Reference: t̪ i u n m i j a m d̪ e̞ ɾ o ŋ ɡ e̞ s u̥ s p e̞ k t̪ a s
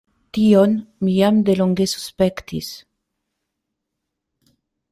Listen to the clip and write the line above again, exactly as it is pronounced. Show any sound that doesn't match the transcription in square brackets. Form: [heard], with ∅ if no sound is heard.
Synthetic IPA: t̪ i [o] n m i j a m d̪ e̞ [l] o ŋ ɡ e̞ s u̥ s p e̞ k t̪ [i] s

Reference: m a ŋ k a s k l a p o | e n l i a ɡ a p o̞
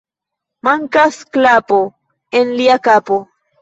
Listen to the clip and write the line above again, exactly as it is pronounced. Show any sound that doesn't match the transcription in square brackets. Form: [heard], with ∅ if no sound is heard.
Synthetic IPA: m a ŋ k a s k l a p o | e n l i a [k] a p o̞

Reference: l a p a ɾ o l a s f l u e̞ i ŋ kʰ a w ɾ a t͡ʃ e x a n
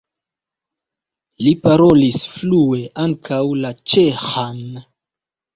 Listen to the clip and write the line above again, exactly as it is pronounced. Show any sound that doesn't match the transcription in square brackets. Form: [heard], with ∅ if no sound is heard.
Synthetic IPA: l [i] p a ɾ o l [i] s f l u e̞ [a] ŋ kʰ a w [l] a t͡ʃ e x a n

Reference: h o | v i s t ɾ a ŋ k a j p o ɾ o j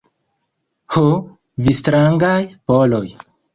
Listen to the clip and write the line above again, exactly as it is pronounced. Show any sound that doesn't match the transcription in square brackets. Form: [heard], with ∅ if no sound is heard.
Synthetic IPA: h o | v i s t ɾ a ŋ [ɡ] a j p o [l] o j

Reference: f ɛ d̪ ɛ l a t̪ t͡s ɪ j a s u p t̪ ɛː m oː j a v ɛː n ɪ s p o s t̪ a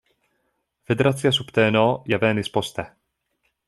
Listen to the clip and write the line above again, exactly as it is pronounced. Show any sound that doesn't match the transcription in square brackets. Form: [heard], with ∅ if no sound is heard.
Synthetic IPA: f ɛ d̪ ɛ [ɾ] a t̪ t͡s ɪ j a s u p t̪ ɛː [n] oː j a v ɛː n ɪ s p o s t̪ [ɛ]

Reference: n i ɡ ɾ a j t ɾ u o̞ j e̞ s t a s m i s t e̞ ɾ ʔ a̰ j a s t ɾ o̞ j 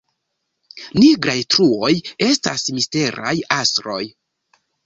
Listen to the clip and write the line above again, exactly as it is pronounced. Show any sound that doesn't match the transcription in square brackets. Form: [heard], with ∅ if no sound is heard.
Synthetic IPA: n i ɡ ɾ a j t ɾ u o̞ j e̞ s t a s m i s t e̞ ɾ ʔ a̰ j a s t ɾ o̞ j

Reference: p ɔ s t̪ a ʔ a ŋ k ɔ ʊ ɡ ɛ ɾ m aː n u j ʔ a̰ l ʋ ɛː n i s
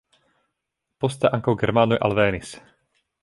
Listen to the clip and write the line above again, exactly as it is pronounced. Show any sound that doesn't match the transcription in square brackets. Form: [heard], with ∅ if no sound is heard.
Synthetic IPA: p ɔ s t̪ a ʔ a ŋ k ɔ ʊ ɡ ɛ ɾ m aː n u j ʔ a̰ l ʋ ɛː n i s

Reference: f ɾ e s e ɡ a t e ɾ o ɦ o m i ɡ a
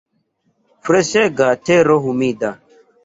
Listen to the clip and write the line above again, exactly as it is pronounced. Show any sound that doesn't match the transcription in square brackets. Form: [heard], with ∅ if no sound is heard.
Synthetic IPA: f ɾ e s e ɡ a t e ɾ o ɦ [u] m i [d] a

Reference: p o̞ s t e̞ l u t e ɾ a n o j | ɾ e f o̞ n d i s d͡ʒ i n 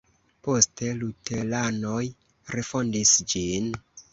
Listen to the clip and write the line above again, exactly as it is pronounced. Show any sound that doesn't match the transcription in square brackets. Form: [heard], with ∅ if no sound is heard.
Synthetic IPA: p o̞ s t e̞ l u t e [l] a n o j | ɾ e f o̞ n d i s d͡ʒ i n

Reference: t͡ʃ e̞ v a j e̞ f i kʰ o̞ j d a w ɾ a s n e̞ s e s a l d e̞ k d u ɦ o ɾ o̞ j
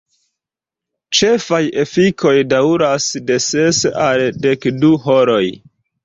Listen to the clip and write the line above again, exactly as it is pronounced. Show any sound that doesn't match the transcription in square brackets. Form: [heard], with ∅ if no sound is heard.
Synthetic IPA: t͡ʃ e̞ [f] a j e̞ f i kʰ o̞ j d a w ɾ a s [d] e̞ s e s a l d e̞ k d u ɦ o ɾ o̞ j

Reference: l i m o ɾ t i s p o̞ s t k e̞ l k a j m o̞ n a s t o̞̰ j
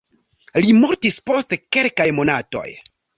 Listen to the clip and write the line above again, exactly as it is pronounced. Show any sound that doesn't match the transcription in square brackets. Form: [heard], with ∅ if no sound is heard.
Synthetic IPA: l i m o ɾ t i s p o̞ s t k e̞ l k a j m o̞ n a [∅] t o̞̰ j

